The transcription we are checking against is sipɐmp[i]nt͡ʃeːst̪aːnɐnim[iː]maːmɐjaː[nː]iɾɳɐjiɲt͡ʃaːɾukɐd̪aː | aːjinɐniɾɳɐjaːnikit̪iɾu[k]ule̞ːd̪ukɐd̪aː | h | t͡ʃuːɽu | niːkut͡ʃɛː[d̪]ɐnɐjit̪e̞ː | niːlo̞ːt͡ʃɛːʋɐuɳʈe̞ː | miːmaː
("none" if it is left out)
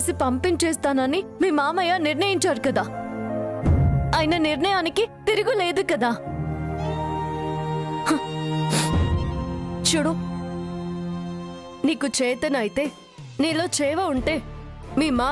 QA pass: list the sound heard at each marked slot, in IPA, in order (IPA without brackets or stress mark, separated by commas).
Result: i, iː, n, ɡ, t̪